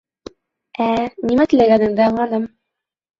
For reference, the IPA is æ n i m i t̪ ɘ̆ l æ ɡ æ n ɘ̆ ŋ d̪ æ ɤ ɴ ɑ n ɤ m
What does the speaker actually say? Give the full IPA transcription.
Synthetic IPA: æ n i m æ t̪ ɘ̆ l æ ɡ æ n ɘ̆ ŋ d̪ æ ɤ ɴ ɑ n ɤ m